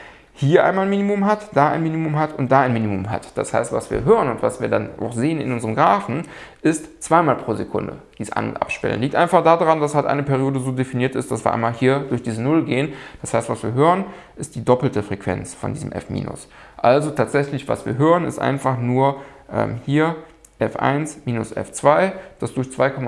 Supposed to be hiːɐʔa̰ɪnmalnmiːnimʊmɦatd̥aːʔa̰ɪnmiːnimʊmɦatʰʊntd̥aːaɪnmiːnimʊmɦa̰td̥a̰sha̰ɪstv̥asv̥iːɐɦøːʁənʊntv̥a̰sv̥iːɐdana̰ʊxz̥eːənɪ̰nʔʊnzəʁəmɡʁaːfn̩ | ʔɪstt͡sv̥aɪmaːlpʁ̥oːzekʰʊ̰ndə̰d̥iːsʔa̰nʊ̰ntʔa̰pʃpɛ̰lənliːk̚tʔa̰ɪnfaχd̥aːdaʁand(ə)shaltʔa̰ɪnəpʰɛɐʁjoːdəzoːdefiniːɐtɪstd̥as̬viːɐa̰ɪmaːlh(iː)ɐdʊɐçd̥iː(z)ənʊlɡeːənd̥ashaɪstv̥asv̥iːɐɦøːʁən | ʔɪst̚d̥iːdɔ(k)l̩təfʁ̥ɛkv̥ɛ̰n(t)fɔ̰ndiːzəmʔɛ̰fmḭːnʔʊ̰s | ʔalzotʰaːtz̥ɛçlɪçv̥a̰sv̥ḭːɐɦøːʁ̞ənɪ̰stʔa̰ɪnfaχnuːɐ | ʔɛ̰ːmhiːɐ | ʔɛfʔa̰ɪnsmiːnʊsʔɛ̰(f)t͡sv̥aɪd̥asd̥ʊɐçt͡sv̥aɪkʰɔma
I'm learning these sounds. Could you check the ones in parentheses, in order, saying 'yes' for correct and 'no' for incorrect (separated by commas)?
no, yes, yes, no, no, yes